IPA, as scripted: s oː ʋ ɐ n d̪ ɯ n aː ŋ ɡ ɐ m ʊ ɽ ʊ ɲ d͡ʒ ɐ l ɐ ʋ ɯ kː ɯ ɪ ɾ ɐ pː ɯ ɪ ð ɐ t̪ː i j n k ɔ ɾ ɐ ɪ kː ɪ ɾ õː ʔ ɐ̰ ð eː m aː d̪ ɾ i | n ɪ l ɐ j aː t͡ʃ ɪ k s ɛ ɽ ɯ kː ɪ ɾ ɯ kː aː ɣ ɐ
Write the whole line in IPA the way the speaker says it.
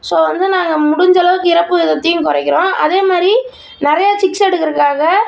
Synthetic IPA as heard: s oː ʋ ɐ n d̪ ɯ n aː ŋ ɡ ɐ m ʊ ɽ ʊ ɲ d͡ʒ ɐ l ɐ ʋ ɯ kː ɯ ɪ ɾ ɐ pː ɯ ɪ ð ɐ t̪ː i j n k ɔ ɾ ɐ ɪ kː ɪ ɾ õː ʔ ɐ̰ ð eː m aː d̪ ɾ i | n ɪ ɾ ɐ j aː t͡ʃ ɪ k s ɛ ɽ ɯ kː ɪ ɾ ɯ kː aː ɣ ɐ